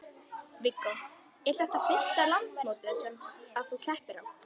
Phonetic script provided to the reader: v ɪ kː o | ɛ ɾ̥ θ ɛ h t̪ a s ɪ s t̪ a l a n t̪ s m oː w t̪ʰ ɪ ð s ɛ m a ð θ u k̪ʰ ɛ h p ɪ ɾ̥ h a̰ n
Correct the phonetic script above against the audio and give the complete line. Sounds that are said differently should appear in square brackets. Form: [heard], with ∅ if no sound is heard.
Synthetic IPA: v ɪ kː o | ɛ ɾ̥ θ ɛ h t̪ a [f] ɪ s t̪ a l a n t̪ s m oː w [t̪] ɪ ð s ɛ m a ð θ u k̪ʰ ɛ h p ɪ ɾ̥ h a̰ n